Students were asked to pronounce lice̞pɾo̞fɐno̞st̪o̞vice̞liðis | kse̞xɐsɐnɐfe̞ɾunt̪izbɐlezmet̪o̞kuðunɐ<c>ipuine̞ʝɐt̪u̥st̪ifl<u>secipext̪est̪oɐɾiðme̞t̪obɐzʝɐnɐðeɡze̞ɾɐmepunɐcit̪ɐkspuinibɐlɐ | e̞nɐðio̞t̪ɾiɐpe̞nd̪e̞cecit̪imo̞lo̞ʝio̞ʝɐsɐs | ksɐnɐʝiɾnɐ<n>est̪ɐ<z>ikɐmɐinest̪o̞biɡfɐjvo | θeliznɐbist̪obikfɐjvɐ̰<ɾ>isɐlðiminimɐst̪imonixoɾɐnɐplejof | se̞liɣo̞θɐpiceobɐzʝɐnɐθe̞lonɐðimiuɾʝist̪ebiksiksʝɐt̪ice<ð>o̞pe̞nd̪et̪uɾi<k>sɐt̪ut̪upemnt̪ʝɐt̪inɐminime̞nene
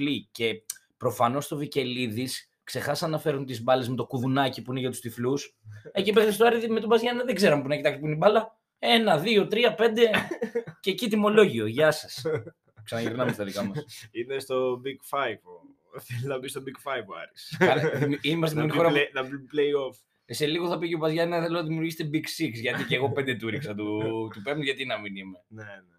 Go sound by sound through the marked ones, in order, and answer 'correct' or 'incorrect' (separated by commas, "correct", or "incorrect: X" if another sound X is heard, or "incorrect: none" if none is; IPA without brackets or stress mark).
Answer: correct, correct, incorrect: m, incorrect: ð, correct, incorrect: ɣ, correct